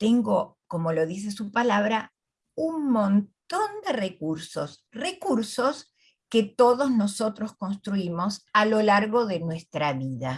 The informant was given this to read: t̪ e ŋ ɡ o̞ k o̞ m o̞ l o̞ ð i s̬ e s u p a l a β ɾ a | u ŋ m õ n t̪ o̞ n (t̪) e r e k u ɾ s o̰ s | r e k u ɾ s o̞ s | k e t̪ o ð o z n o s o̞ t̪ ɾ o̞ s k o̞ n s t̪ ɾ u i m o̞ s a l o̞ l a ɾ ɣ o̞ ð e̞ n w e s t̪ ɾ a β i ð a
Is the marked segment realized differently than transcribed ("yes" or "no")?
yes